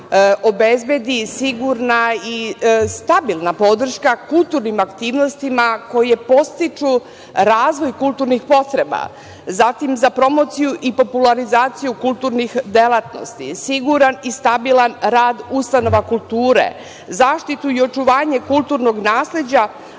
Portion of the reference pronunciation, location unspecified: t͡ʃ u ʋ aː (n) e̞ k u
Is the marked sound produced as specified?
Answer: no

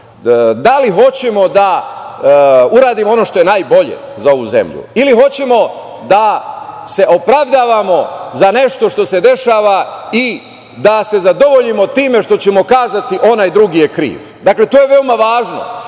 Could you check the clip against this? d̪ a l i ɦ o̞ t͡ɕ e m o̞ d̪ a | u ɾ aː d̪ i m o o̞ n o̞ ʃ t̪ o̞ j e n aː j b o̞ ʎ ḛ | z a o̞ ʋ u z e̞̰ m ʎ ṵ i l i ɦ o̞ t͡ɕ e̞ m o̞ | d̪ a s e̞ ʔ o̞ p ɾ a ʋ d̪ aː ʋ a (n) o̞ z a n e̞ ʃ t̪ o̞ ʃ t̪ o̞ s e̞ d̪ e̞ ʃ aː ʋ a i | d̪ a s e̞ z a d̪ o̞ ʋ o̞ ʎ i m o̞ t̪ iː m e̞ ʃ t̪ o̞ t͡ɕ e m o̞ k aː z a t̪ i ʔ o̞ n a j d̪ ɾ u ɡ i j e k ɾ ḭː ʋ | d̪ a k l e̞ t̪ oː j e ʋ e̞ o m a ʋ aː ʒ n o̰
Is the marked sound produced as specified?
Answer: no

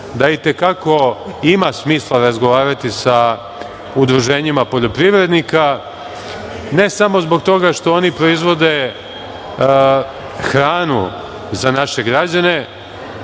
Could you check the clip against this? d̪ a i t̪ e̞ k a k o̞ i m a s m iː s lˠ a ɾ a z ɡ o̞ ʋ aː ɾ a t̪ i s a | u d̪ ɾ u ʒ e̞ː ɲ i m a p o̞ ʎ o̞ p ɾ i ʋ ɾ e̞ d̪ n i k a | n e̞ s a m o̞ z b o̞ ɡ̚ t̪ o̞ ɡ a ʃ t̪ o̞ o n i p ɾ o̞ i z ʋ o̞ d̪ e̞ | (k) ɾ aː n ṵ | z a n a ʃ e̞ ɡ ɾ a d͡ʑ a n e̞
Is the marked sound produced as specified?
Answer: no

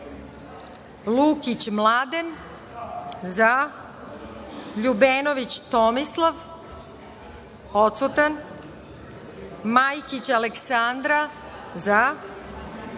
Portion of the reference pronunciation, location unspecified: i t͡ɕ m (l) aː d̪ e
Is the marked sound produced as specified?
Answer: yes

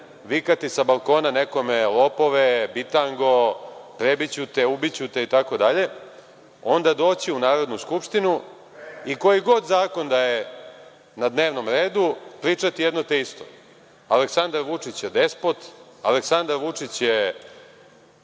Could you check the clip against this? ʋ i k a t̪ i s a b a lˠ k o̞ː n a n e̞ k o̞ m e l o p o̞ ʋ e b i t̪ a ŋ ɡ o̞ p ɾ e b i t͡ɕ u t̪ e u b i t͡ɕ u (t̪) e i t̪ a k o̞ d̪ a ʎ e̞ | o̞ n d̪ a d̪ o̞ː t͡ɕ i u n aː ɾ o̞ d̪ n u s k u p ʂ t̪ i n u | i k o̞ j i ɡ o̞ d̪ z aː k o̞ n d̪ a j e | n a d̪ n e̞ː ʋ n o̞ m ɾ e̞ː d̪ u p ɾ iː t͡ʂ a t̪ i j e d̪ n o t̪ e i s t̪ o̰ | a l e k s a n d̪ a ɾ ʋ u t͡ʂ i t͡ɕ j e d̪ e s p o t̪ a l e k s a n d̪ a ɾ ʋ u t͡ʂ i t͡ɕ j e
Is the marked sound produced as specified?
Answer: yes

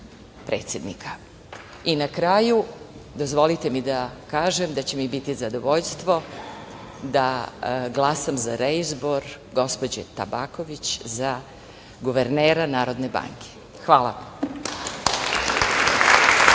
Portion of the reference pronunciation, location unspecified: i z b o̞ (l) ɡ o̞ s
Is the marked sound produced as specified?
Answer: no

